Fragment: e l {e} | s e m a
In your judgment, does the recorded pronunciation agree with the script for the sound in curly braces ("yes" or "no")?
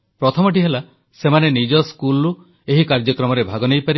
no